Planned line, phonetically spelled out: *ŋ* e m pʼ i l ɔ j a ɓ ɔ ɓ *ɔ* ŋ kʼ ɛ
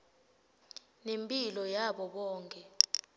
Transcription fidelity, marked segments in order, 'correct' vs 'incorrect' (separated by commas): incorrect, incorrect